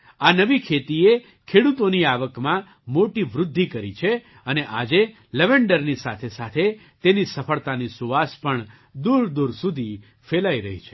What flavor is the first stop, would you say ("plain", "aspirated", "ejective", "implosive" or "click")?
aspirated